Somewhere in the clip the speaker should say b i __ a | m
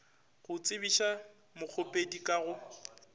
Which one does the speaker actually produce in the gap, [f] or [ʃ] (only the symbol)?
ʃ